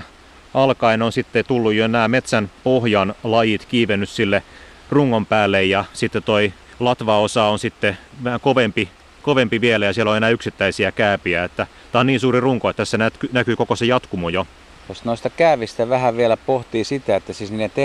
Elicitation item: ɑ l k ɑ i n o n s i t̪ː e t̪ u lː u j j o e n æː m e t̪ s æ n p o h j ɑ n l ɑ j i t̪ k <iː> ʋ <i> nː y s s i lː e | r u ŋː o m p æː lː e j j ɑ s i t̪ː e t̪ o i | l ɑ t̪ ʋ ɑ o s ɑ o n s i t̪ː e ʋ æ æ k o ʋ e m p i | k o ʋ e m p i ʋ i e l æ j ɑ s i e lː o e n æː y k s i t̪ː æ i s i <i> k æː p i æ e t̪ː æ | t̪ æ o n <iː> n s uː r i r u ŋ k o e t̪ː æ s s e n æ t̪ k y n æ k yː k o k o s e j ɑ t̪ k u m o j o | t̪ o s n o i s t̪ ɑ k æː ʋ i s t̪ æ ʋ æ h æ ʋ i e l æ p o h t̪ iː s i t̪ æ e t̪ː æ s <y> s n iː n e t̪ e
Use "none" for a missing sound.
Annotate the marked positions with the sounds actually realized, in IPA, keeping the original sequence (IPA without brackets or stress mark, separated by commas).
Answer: iː, e, æ, iː, i